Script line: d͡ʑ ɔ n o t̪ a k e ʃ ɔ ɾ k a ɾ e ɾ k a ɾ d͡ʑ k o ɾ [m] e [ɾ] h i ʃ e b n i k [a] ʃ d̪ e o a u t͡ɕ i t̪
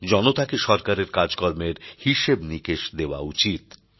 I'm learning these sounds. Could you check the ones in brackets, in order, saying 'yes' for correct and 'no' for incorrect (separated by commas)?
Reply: yes, yes, no